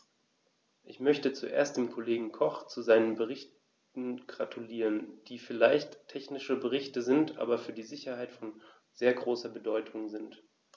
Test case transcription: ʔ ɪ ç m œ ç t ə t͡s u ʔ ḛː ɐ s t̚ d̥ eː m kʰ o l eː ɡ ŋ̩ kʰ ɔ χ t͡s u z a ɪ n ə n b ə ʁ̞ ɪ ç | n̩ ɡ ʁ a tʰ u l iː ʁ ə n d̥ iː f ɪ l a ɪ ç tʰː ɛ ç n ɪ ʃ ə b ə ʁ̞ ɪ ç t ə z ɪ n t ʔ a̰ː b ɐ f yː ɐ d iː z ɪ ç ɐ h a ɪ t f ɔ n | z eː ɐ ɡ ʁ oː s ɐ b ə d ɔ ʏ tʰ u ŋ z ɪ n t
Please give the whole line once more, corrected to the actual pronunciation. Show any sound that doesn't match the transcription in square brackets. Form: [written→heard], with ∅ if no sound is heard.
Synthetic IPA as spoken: ʔ ɪ ç m œ ç t ə t͡s u ʔ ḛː ɐ s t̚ d̥ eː m kʰ o l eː ɡ ŋ̩ kʰ ɔ χ t͡s u z a ɪ n ə n b ə ʁ̞ ɪ ç | n̩ ɡ ʁ a tʰ u l iː ʁ ə n d̥ iː f ɪ l a ɪ ç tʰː ɛ ç n ɪ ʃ ə b ə ʁ̞ ɪ ç t ə z ɪ n t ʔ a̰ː b ɐ f yː ɐ d iː z ɪ ç ɐ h a ɪ t f ɔ n | z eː ɐ ɡ ʁ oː s ɐ b ə d ɔ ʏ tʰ [u→ʊ] ŋ z ɪ n t

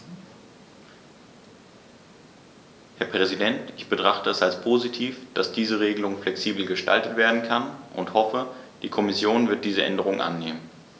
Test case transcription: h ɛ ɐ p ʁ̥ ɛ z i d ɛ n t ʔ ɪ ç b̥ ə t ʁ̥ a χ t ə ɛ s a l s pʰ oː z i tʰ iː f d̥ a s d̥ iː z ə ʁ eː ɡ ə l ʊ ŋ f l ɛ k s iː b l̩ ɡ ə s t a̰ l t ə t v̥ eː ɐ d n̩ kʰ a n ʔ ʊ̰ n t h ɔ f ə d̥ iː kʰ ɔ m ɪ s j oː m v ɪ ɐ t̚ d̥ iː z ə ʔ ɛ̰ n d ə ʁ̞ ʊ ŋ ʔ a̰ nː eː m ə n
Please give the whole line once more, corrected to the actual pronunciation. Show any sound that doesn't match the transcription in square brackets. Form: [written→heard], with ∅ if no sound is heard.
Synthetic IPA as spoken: h ɛ ɐ p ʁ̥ ɛ z i d ɛ n t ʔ ɪ ç b̥ ə t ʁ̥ a χ t ə ɛ s a l s pʰ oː z i tʰ iː f d̥ a s d̥ iː z ə ʁ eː ɡ ə l ʊ ŋ f l ɛ k s iː b l̩ ɡ ə [s→ʃ] t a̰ l t ə t v̥ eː ɐ d n̩ kʰ a n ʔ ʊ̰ n t h ɔ f ə d̥ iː kʰ ɔ m ɪ s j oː [m→n] v ɪ ɐ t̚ d̥ iː z ə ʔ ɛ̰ n d ə ʁ̞ ʊ ŋ ʔ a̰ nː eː m ə n

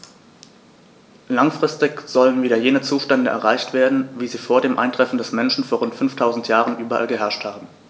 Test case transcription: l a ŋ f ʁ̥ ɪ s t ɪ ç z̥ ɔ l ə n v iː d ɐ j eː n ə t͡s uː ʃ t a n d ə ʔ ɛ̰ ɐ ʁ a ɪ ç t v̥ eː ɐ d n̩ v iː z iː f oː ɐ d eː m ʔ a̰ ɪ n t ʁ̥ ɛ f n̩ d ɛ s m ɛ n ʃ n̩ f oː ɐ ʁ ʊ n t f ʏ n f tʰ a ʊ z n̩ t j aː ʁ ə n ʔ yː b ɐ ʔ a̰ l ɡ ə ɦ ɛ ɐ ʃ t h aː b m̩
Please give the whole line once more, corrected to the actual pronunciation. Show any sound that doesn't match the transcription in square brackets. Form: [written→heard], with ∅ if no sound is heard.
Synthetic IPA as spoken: l a ŋ f ʁ̥ ɪ s t ɪ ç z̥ ɔ l ə n v iː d ɐ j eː n ə t͡s uː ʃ t [a→ɛ] n d ə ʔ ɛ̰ ɐ ʁ a ɪ ç t v̥ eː ɐ d n̩ v iː z iː f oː ɐ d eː m ʔ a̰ ɪ n t ʁ̥ ɛ f n̩ d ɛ s m ɛ n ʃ n̩ f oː ɐ ʁ ʊ n t f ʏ n f tʰ a ʊ z n̩ t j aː ʁ ə n ʔ yː b ɐ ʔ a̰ l ɡ ə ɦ ɛ ɐ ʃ t h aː b m̩

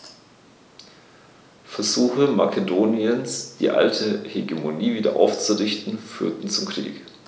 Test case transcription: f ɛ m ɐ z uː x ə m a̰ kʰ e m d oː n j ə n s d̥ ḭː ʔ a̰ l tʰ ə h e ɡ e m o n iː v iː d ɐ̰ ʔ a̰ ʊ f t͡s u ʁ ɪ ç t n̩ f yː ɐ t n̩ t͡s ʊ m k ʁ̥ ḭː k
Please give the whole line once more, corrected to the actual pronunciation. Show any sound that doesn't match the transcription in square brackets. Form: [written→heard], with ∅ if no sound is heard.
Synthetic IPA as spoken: f ɛ [m→∅] ɐ z uː x ə m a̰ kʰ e [m→∅] d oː n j ə n s d̥ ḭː ʔ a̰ l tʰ ə h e ɡ e m o n iː v iː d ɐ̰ ʔ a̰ ʊ f t͡s u ʁ ɪ ç t n̩ f yː ɐ t n̩ t͡s ʊ m k ʁ̥ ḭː k

